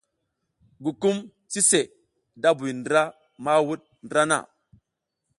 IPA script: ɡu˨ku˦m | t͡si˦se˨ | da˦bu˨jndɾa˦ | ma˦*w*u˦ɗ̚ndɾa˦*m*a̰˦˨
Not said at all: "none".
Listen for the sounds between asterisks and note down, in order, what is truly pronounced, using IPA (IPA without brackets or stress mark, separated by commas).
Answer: w, n